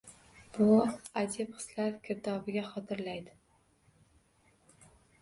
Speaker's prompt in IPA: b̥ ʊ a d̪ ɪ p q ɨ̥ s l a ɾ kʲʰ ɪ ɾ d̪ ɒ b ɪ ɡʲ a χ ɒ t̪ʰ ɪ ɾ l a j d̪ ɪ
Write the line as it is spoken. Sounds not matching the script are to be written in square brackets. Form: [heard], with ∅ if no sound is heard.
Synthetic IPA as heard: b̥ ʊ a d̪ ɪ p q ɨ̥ s l a ɾ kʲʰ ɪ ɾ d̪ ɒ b ɪ ɡʲ a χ ɒ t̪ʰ ɪ ɾ l a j d̪ ɪ